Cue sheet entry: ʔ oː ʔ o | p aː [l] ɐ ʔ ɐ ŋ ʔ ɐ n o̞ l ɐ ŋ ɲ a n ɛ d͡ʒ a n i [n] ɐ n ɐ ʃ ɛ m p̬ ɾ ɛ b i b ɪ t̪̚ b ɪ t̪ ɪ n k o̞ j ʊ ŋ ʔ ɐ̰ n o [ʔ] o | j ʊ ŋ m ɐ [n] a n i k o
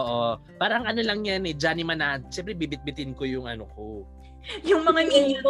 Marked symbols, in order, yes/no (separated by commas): no, no, no, no